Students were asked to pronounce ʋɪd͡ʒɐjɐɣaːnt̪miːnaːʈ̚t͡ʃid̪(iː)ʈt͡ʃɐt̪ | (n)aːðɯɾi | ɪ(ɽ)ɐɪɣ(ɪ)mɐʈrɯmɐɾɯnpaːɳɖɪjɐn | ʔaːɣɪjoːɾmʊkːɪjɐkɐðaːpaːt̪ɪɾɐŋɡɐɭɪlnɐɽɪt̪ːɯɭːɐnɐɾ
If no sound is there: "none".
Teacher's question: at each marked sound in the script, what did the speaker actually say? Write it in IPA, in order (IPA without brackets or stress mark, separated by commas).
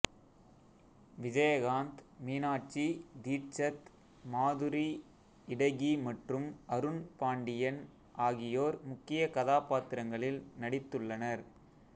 iː, m, ɽ, i